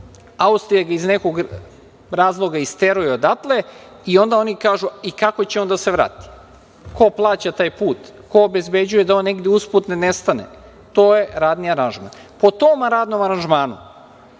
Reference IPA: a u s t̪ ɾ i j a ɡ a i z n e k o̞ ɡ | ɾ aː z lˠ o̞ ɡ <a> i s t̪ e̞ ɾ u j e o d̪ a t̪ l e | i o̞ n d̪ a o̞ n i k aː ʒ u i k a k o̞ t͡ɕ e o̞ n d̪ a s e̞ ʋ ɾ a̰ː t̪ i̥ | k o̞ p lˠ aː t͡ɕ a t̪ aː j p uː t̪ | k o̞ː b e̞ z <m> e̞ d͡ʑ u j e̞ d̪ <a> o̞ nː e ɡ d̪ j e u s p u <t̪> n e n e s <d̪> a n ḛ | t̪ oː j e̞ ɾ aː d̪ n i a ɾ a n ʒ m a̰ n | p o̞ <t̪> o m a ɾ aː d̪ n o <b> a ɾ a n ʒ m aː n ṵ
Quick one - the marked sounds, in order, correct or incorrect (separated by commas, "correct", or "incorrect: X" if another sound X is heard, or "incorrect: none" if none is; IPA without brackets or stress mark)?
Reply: correct, incorrect: b, correct, correct, incorrect: t̪, correct, incorrect: m